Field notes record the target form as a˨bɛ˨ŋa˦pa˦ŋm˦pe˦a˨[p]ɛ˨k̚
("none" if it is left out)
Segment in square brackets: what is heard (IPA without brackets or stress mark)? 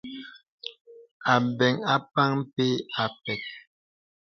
p